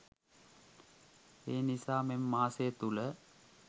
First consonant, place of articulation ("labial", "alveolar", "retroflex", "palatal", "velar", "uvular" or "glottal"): alveolar